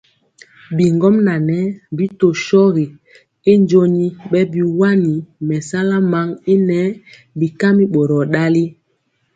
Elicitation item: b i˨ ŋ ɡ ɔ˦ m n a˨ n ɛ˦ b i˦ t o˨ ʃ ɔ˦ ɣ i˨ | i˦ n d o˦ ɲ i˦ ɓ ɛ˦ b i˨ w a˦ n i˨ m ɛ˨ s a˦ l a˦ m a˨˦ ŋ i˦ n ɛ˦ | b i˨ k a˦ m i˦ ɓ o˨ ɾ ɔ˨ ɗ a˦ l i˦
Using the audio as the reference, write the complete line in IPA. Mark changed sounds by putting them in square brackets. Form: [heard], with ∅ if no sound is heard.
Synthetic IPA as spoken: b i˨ ŋ ɡ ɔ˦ m n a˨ n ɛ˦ b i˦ t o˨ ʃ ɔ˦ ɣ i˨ | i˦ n [d͡ʒ] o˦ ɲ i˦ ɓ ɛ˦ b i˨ w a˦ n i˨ m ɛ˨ s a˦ l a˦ m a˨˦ ŋ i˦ n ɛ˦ | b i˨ k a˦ m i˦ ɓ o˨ ɾ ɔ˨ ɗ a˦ l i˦